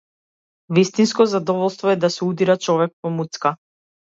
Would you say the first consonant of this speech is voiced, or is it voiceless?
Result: voiced